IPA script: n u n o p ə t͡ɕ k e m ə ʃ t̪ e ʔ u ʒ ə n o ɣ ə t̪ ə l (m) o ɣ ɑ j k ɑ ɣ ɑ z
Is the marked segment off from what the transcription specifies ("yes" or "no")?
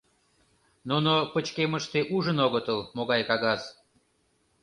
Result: no